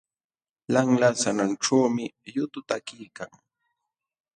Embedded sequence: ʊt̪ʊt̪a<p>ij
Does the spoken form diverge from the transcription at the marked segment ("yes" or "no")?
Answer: yes